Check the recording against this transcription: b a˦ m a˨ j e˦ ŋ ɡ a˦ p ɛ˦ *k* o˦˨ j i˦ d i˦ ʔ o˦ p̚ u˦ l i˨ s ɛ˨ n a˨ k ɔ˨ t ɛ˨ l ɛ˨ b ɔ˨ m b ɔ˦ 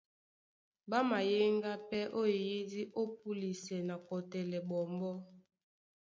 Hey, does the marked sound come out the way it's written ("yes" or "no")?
no